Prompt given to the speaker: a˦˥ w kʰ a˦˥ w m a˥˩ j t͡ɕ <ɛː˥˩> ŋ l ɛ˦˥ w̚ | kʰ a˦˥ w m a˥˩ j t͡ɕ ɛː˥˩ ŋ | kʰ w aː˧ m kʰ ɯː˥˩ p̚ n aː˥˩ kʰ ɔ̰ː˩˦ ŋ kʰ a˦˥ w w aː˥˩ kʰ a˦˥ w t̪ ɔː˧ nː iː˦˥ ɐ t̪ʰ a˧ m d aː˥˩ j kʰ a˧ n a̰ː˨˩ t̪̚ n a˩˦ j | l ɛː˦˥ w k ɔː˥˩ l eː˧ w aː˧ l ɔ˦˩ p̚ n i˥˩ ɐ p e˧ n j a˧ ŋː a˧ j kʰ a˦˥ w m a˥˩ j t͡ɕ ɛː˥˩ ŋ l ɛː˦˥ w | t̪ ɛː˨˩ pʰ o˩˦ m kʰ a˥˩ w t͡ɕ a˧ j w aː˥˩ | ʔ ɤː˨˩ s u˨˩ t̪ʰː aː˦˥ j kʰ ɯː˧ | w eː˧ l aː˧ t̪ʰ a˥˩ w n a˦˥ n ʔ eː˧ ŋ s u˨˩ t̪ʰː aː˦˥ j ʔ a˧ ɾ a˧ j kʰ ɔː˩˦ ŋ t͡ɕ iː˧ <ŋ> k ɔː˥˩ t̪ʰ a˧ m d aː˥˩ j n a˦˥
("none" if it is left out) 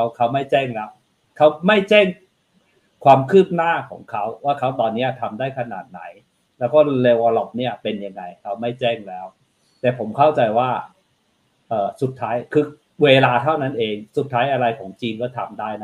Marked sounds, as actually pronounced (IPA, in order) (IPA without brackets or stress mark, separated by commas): ɛː˥˩, n